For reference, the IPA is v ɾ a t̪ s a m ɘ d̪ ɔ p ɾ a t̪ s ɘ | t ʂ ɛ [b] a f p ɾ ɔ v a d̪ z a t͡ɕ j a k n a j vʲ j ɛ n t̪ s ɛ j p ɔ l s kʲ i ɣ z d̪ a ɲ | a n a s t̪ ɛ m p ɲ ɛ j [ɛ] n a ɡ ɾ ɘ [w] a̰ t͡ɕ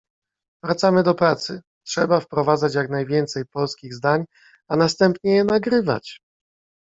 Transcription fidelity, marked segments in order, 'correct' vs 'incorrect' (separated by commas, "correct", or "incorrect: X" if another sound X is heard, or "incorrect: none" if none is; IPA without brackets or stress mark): correct, correct, incorrect: v